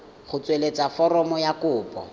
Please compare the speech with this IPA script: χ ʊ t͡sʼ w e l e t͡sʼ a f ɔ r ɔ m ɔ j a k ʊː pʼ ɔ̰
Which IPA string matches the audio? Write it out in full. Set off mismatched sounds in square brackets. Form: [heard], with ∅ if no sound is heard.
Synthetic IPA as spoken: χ ʊ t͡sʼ w e l e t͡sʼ a f ɔ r ɔ m ɔ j a k ʊː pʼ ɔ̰